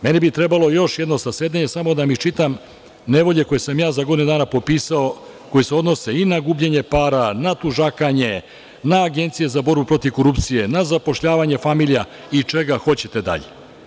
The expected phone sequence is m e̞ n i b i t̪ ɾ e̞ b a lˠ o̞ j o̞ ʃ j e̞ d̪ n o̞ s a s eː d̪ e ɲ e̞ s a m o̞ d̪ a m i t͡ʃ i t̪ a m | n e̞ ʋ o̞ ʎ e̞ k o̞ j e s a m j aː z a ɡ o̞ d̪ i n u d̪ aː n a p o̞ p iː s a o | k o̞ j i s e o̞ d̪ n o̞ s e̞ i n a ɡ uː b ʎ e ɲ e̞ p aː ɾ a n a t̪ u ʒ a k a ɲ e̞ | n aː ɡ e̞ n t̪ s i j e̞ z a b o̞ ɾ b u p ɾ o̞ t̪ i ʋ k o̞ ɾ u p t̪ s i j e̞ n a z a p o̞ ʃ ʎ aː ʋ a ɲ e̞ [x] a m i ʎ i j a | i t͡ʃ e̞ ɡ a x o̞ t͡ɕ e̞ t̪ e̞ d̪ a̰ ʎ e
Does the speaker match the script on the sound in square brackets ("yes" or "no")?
no